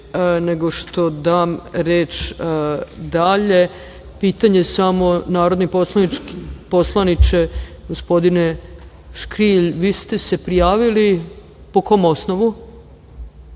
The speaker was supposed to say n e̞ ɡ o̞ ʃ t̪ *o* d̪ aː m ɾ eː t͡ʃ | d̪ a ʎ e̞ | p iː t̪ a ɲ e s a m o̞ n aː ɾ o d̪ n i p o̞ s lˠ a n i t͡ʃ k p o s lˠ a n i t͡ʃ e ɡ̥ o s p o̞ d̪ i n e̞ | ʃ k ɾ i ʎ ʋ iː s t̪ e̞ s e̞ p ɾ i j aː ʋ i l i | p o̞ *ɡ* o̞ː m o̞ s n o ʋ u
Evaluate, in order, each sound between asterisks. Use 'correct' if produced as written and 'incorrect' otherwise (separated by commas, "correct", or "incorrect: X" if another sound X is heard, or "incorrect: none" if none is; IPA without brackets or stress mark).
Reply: correct, incorrect: k